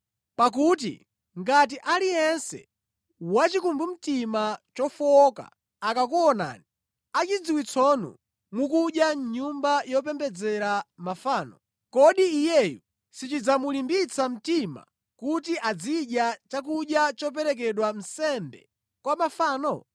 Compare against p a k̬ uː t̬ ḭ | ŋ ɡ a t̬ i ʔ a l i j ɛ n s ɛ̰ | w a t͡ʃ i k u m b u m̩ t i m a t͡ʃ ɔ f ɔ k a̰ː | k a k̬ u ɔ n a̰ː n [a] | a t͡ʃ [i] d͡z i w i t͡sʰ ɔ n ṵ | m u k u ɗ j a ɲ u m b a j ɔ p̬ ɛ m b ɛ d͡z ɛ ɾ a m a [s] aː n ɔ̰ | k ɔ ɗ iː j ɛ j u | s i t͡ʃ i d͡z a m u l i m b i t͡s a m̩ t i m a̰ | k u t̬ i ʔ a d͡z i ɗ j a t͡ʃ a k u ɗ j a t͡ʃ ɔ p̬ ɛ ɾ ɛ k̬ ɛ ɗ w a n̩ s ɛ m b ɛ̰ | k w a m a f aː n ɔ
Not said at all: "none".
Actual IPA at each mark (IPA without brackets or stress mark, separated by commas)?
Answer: i, i, f